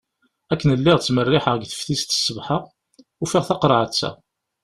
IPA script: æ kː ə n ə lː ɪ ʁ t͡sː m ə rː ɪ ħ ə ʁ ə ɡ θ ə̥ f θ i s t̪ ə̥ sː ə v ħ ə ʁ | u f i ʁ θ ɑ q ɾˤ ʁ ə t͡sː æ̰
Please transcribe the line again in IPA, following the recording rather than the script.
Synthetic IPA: æ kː ə n ə lː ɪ ʁ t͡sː m ə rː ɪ ħ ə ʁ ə ɡ θ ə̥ f θ i s t̪ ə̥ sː ə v ħ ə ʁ | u f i ʁ θ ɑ q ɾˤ ʕ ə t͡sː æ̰